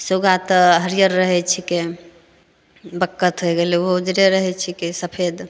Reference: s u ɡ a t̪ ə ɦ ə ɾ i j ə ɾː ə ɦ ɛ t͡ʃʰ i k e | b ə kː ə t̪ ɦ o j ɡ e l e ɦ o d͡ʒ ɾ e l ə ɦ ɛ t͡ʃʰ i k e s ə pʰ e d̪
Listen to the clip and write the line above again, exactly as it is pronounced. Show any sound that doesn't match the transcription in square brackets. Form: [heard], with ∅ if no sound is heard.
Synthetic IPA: s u ɡ a t̪ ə ɦ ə ɾ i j ə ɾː ə ɦ ɛ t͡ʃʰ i k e | b ə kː ə t̪ ɦ o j ɡ e l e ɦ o d͡ʒ ɾ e [ɾ] ə ɦ ɛ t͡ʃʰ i k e s ə pʰ e d̪